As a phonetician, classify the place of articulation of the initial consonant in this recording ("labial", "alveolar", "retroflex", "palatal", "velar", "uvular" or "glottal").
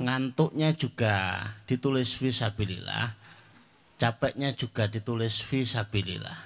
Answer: velar